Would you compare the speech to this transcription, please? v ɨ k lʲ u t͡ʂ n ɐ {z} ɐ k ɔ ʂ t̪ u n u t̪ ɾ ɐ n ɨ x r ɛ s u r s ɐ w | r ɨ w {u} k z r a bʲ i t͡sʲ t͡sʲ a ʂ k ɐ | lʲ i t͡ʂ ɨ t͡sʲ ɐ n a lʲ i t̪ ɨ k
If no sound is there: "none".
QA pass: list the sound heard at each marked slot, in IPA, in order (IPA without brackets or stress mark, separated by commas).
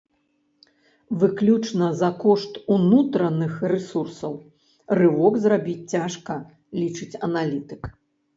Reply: z, ɔ